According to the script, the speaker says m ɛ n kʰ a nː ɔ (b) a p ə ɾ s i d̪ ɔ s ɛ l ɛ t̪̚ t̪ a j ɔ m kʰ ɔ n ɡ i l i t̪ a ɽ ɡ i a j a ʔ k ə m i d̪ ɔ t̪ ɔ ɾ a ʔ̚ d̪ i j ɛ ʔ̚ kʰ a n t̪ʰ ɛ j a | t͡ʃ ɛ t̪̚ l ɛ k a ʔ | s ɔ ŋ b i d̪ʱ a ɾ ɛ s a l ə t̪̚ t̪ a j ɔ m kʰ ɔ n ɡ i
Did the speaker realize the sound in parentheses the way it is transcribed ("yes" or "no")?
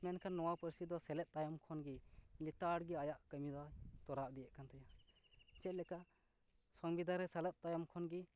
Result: no